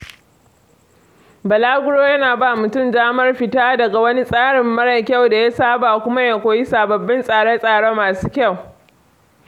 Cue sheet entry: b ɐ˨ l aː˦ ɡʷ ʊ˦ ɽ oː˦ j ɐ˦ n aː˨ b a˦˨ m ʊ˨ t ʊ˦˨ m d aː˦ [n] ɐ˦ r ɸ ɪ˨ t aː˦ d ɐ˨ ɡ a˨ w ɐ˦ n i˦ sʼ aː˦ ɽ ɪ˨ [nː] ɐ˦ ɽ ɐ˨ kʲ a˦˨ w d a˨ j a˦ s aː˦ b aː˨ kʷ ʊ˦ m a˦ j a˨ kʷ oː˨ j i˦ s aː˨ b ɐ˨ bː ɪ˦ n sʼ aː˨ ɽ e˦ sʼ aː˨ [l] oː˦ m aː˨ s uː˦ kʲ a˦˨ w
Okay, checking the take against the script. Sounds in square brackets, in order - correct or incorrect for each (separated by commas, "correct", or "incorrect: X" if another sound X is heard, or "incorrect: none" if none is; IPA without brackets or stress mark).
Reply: incorrect: m, incorrect: mː, incorrect: ɽ